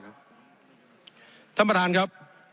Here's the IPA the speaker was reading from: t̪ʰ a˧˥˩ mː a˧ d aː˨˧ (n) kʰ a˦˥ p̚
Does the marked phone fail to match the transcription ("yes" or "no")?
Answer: no